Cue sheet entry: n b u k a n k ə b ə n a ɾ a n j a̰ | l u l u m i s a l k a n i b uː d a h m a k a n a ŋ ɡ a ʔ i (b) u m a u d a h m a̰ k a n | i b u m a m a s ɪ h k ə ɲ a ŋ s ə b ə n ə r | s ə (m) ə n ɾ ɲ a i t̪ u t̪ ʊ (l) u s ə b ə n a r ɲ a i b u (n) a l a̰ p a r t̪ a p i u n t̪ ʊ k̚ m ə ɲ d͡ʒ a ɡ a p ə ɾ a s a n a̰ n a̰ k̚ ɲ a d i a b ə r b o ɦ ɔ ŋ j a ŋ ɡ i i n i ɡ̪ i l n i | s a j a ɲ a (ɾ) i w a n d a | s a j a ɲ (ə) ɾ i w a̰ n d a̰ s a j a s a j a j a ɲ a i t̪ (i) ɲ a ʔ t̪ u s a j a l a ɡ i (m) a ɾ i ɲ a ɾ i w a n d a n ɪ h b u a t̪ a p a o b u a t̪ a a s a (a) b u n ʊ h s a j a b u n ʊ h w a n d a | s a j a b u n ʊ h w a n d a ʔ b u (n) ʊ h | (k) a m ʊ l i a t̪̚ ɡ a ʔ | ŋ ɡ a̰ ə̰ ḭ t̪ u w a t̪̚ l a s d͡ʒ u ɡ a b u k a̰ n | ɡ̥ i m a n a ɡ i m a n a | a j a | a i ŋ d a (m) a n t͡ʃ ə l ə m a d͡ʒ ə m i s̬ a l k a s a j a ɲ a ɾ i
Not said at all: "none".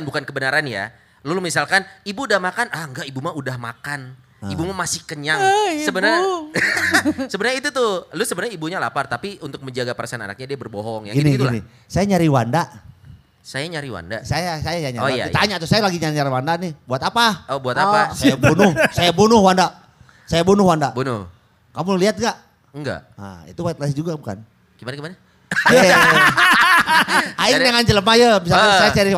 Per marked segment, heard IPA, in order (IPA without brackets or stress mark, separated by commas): b, b, l, ɲ, ɾ, a, a, ɲ, a, n, k, ŋ